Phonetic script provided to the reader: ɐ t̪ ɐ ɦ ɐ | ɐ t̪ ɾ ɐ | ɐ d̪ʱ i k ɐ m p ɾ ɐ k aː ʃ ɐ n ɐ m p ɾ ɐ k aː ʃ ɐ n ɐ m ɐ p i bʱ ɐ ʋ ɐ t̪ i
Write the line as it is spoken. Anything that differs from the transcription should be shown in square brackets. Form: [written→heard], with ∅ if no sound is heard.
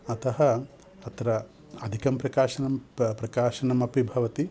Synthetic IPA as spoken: ɐ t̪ ɐ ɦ ɐ | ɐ t̪ ɾ ɐ | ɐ d̪ʱ i k ɐ m p ɾ ɐ k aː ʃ ɐ n ɐ m p ɾ ɐ k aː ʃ ɐ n ɐ m ɐ p i bʱ ɐ ʋ ɐ t̪ i